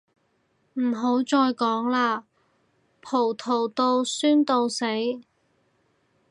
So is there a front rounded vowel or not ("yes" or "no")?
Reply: yes